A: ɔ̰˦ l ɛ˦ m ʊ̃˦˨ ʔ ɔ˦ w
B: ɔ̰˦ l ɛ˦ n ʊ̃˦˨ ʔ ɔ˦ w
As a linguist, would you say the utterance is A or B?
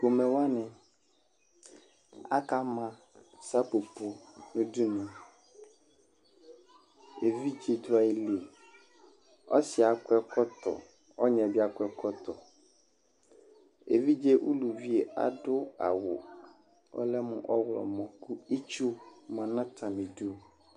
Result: A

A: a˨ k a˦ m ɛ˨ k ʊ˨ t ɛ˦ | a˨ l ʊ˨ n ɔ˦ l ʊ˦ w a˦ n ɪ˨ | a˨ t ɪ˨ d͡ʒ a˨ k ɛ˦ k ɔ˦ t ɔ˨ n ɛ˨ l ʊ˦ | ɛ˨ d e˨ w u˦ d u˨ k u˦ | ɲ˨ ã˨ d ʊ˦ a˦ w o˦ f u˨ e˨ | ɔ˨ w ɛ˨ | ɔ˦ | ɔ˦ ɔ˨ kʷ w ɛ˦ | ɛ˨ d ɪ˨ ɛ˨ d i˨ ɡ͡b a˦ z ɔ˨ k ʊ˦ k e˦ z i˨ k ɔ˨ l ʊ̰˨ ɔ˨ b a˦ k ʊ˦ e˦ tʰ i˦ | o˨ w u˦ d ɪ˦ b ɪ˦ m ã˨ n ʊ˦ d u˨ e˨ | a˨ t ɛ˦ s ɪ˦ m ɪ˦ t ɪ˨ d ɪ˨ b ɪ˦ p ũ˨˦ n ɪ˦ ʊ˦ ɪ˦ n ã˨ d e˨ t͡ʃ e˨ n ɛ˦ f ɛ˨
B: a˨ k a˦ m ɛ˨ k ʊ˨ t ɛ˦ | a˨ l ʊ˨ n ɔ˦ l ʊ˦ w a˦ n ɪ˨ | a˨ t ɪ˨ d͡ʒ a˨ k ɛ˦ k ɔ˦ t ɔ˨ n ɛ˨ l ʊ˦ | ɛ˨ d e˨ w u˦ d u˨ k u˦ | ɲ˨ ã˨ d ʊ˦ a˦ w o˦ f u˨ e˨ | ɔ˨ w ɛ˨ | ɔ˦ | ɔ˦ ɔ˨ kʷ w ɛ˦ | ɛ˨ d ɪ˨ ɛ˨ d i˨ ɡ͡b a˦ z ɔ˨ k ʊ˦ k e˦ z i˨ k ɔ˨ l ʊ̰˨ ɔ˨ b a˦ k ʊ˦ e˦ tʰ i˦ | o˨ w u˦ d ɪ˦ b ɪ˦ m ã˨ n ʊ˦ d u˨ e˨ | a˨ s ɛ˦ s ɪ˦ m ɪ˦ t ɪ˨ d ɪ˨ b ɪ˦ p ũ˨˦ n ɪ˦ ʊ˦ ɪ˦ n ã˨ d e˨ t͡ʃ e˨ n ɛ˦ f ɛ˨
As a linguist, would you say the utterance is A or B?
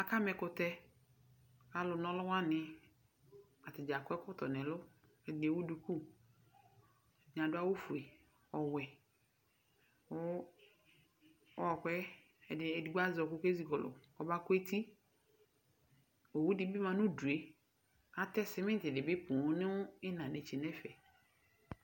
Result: A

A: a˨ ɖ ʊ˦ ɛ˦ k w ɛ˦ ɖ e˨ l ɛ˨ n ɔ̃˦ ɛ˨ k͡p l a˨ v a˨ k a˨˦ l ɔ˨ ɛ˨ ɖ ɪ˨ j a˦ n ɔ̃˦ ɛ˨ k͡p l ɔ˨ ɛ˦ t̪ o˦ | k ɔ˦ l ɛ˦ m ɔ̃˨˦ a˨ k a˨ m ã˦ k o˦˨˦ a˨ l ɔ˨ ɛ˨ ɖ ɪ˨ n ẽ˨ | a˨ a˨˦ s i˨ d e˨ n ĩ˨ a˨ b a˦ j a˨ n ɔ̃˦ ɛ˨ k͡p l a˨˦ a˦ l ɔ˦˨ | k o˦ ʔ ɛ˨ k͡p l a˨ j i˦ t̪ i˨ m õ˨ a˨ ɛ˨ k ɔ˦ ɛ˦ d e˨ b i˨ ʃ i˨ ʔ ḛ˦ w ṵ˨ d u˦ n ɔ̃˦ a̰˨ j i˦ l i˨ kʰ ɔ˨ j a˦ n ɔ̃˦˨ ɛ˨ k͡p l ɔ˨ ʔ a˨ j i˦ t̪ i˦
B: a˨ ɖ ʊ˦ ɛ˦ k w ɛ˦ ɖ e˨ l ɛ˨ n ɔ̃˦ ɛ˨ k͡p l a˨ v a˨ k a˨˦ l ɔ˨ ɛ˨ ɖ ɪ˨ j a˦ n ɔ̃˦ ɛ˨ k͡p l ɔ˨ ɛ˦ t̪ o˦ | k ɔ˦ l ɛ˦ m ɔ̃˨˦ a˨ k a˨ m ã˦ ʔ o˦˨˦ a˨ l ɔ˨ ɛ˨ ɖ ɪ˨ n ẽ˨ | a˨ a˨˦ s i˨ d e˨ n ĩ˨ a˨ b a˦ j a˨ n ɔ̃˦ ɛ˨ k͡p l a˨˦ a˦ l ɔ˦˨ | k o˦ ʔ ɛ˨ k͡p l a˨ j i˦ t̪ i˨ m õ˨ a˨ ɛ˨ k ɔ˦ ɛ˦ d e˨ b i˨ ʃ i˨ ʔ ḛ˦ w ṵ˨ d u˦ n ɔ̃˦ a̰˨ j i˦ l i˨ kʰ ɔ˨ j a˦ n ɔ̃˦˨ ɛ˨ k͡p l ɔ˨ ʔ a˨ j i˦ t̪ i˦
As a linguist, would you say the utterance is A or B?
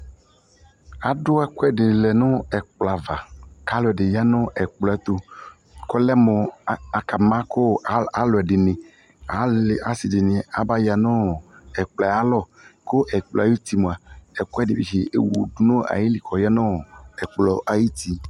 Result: A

